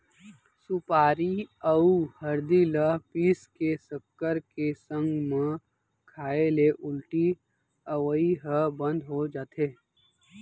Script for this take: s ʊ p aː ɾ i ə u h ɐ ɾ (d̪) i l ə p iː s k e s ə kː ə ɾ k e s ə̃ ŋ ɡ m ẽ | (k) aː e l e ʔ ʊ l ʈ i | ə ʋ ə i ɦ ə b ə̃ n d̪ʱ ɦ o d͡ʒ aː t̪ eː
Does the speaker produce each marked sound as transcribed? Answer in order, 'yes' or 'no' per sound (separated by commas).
yes, no